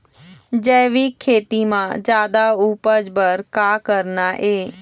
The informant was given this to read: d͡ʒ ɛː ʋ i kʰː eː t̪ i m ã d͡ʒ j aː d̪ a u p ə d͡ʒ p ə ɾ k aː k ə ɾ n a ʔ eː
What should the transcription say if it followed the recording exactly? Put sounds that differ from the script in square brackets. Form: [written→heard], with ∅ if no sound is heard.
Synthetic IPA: d͡ʒ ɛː ʋ i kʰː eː t̪ i m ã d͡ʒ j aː d̪ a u p ə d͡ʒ [p→b] ə ɾ k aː k ə ɾ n a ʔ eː